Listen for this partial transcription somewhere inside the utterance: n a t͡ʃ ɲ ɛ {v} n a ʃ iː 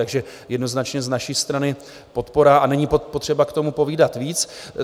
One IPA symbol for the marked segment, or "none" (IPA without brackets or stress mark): z